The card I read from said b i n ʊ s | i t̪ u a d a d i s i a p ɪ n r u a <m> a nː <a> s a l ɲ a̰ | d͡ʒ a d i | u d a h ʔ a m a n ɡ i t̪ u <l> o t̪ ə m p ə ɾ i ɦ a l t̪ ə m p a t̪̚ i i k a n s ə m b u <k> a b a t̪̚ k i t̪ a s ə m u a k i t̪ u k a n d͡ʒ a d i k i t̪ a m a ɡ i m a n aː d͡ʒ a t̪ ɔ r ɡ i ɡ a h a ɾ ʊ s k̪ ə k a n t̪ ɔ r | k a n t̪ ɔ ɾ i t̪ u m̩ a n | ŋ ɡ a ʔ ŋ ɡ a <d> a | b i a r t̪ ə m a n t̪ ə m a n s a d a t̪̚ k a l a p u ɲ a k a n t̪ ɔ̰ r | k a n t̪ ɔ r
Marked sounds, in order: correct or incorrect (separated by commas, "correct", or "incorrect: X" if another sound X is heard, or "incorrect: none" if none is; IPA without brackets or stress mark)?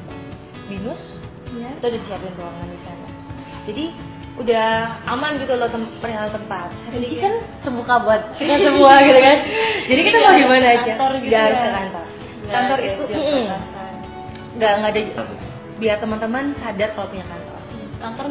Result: incorrect: ŋ, incorrect: i, correct, correct, correct